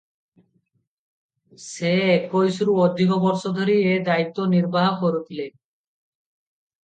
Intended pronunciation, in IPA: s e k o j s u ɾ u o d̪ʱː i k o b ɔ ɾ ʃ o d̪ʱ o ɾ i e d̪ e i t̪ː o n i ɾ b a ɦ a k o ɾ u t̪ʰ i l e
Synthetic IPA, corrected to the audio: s e k o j s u ɾ u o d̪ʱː i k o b ɔ ɾ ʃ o d̪ʱ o ɾ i e d̪ a i t̪ː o n i ɾ b a ɦ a k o ɾ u t̪ʰ i l e